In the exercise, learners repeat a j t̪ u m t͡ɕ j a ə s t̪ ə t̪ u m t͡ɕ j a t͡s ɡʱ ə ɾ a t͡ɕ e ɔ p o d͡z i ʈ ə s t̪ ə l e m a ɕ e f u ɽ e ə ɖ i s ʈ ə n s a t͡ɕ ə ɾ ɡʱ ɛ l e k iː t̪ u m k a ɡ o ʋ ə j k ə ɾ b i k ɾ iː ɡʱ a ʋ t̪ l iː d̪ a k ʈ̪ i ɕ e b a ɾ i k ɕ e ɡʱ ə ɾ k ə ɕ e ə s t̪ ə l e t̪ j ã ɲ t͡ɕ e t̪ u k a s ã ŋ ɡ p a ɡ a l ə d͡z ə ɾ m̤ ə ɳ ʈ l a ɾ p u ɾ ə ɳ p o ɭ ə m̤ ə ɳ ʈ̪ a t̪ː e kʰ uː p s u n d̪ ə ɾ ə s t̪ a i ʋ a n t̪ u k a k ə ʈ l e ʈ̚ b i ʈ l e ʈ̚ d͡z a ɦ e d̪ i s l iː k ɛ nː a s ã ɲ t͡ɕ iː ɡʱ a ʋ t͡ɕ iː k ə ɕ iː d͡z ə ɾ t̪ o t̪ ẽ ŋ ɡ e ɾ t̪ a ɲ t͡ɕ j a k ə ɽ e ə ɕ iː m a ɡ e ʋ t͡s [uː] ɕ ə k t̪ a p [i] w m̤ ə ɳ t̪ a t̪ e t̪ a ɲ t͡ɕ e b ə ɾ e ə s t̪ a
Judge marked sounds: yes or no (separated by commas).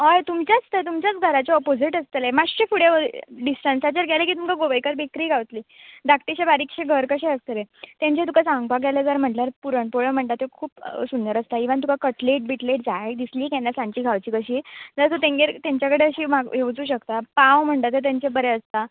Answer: yes, no